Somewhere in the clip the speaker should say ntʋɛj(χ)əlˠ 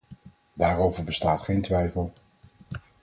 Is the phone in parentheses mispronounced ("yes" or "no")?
yes